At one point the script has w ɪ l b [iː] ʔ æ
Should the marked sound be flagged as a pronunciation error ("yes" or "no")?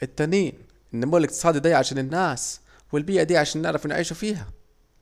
no